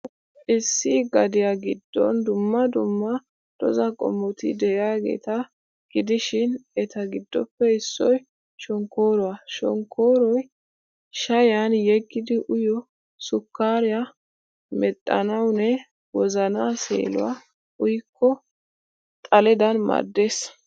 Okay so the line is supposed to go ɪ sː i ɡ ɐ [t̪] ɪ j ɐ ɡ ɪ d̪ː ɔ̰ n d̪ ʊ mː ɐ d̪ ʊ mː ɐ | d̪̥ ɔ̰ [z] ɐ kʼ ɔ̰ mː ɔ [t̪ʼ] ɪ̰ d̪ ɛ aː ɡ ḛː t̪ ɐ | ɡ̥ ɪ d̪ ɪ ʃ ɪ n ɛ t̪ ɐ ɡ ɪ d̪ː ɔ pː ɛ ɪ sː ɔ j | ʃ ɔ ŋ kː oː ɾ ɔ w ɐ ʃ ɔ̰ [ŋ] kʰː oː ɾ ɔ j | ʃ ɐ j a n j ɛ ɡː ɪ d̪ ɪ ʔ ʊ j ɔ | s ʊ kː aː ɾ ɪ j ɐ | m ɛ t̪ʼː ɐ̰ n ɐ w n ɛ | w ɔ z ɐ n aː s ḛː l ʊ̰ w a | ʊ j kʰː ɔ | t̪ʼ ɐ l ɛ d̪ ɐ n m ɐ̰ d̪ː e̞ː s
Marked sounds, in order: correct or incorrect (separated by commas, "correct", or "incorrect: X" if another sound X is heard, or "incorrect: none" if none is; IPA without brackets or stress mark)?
incorrect: d̪, correct, incorrect: t̪, correct